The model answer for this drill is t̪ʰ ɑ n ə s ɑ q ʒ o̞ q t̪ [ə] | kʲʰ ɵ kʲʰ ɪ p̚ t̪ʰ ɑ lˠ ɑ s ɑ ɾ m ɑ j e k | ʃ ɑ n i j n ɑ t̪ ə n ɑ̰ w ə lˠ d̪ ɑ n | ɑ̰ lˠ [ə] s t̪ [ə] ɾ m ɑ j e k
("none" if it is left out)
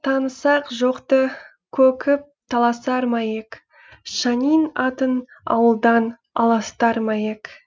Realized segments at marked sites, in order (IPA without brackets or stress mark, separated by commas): ə, ɑ, ɑ